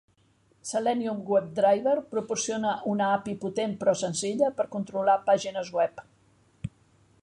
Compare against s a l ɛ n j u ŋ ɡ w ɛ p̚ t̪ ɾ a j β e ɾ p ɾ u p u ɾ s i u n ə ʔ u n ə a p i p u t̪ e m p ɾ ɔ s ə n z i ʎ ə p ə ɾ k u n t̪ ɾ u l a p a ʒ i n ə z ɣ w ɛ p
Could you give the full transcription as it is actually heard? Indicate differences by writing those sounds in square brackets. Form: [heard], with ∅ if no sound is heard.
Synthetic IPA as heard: s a l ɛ n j u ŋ ɡ w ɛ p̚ [d̪] ɾ a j β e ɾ p ɾ u p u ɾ s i [o] n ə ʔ u n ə a p i p u t̪ e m p ɾ ɔ s ə n z i ʎ ə p ə ɾ k u n t̪ ɾ u l a p a ʒ i n ə z ɣ w ɛ p